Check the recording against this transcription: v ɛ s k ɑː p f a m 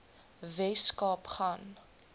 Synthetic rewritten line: v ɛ s k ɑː p χ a n